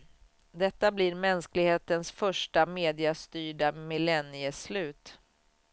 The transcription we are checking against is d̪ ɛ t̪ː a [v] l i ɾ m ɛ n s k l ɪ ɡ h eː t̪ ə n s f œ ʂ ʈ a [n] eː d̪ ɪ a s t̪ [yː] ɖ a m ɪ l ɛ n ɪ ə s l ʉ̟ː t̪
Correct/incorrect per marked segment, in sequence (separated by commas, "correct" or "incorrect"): incorrect, incorrect, correct